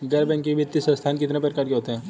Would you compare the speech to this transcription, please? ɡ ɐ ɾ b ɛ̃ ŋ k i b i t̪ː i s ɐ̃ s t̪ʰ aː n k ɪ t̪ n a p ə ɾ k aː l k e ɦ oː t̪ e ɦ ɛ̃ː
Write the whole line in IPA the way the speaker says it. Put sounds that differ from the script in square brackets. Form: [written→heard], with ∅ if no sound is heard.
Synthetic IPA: ɡ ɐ ɾ b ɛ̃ ŋ k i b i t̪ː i s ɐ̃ s t̪ʰ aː n k ɪ t̪ n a p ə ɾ k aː [l→ɾ] k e ɦ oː t̪ e ɦ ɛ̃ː